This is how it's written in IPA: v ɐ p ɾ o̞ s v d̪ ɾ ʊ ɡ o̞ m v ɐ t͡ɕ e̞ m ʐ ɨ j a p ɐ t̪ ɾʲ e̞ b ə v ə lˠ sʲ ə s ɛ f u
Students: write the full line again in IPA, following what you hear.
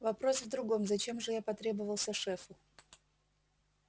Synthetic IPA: v ɐ p ɾ o̞ s v d̪ ɾ ʊ ɡ o̞ m z ɐ t͡ɕ e̞ m ʐ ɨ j a p ɐ t̪ ɾʲ e̞ b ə v ə lˠ sʲ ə ʂ ɛ f ʊ

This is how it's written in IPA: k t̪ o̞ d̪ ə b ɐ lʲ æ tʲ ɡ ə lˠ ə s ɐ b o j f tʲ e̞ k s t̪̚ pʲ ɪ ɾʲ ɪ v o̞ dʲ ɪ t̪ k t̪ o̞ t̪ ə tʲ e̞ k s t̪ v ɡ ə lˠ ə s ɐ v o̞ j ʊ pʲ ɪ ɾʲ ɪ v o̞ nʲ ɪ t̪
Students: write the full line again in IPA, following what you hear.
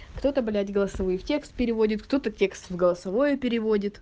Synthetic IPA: k t̪ o̞ t̪ ə b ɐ lʲ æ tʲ ɡ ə lˠ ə s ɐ v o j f tʲ e̞ k s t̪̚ pʲ ɪ ɾʲ ɪ v o̞ dʲ ɪ t̪ k t̪ o̞ t̪ ə tʲ e̞ k s t̪ v ɡ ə lˠ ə s ɐ v o̞ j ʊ pʲ ɪ ɾʲ ɪ v o̞ dʲ ɪ t̪

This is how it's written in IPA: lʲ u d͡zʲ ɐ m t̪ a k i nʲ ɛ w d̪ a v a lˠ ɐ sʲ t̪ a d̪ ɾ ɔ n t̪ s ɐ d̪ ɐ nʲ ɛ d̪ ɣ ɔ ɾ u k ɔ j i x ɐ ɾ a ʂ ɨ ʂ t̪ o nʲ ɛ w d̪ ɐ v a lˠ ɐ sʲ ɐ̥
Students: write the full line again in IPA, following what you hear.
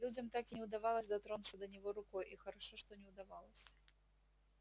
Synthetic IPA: lʲ u d͡zʲ ɐ m t̪ a k i nʲ ɛ w d̪ a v a lˠ ɐ sʲ d̪ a t̪ ɾ ɔ n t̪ s ɐ d̪ ɐ nʲ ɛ ɣ ɔ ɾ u k ɔ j i x ɐ ɾ a ʂ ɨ ʂ t̪ ɔ nʲ ɛ w d̪ a v a lˠ ɐ sʲ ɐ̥

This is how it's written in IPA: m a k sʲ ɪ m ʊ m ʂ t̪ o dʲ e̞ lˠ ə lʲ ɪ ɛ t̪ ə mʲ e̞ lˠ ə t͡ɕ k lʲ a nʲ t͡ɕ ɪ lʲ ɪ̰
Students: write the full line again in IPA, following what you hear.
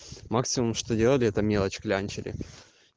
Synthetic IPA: m a k sʲ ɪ m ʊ m ʂ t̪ o dʲ e̞ lˠ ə lʲ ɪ ɛ t̪ ə mʲ e̞ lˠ ə t͡ɕ k lʲ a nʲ t͡ɕ ɪ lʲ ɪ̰

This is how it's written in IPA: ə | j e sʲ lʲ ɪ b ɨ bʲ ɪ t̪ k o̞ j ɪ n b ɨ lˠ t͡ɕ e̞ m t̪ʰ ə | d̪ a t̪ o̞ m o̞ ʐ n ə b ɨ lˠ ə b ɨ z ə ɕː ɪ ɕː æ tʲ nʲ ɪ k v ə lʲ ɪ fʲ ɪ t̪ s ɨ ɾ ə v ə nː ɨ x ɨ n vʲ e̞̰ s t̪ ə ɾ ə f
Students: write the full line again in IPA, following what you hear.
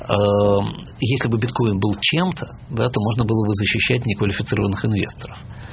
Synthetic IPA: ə | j e sʲ lʲ ɪ b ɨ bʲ ɪ t̪ k o̞ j ɪ n b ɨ lˠ t͡ɕ e̞ m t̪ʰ ə | d̪ a t̪ o̞ m o̞ ʐ n ə b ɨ lˠ ə b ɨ z ə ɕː ɪ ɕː æ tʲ nʲ ɪ k v ə lʲ ɪ fʲ ɪ t̪ s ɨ ɾ ə v ə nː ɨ x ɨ n vʲ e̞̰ s t̪ ə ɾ ə f

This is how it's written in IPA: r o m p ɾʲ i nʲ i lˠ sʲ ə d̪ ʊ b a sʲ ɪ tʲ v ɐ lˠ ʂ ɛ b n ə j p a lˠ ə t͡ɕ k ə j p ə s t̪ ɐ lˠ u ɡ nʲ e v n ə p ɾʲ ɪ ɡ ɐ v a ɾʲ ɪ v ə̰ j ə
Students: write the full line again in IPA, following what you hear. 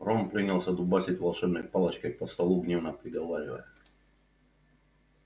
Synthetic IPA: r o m p ɾʲ i nʲ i lˠ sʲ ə d̪ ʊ b a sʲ ɪ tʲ v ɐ lˠ ʂ ɛ b n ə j p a lˠ ə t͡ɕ k ə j p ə s t̪ ɐ lˠ u ɡ nʲ e v n ə p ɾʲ ɪ ɡ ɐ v a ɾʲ ɪ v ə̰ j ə

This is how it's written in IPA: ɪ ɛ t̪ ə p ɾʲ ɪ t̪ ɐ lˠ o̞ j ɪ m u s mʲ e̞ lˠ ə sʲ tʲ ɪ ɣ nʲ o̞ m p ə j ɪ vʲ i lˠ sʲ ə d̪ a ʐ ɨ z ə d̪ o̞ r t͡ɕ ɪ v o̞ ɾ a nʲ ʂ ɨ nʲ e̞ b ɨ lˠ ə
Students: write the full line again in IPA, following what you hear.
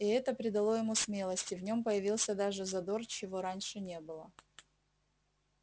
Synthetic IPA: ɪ ɛ t̪ ə p ɾʲ ɪ d̪ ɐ lˠ o̞ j ɪ m u s mʲ e̞ lˠ ə sʲ tʲ ɪ v nʲ o̞ m p ə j ɪ vʲ i lˠ sʲ ə d̪ a ʐ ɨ z ɐ d̪ o̞ r t͡ɕ ɪ v o̞ ɾ a nʲ ʂ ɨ nʲ e̞ b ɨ lˠ ə

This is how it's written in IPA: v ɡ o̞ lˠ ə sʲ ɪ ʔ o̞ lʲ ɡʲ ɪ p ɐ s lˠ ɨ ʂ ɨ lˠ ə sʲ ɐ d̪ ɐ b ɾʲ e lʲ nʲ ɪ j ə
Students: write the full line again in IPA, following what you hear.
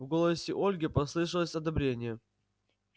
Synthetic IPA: v ɡ o̞ lˠ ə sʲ ɪ ʔ o̞ lʲ ɡʲ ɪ p ɐ s lˠ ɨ ʂ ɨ lˠ ə sʲ ɐ d̪ ɐ b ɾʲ e nʲ ɪ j ə

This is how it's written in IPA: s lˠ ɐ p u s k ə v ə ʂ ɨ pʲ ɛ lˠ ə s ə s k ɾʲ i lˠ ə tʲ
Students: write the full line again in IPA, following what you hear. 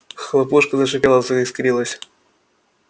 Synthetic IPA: x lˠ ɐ p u ʂ k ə z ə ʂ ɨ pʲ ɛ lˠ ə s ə s k ɾʲ i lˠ ə sʲ

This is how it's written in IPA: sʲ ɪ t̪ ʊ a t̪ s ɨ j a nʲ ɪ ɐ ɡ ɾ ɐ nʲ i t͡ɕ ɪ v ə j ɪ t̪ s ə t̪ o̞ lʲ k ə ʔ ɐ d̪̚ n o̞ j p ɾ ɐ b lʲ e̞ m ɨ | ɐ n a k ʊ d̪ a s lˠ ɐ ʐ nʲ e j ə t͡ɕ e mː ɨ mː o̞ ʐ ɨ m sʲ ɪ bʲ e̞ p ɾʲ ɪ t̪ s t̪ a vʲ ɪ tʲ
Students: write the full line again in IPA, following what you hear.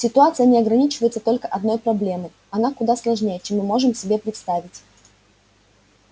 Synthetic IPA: sʲ ɪ t̪ ʊ a t̪ s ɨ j ə nʲ ɪ ɐ ɡ ɾ ɐ nʲ i t͡ɕ ɪ v ə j ɪ t̪ s ə t̪ o̞ lʲ k ə ʔ ɐ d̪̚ n o̞ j p ɾ ɐ b lʲ e̞ m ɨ | ɐ n a k ʊ d̪ a s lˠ ɐ ʐ nʲ e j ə t͡ɕ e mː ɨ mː o̞ ʐ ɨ m sʲ ɪ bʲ e̞ p ɾʲ ɪ t̪ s t̪ a vʲ ɪ tʲ

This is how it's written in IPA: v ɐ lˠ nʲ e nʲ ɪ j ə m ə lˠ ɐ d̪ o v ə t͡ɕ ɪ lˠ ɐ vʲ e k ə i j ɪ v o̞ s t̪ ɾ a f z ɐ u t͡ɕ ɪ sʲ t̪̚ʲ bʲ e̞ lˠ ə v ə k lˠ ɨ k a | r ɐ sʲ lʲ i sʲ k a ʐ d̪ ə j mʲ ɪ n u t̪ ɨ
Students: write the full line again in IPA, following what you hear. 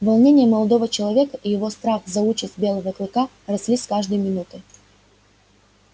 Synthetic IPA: v ɐ lˠ nʲ e nʲ ɪ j ə m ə lˠ ɐ d̪ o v ə t͡ɕ ɪ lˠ ɐ vʲ e k ə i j ɪ v o̞ s t̪ ɾ a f z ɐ u t͡ɕ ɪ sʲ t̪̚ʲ bʲ e̞ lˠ ə v ə k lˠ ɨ k a | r ɐ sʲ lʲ i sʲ k a ʐ d̪ ə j mʲ ɪ n u t̪ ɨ

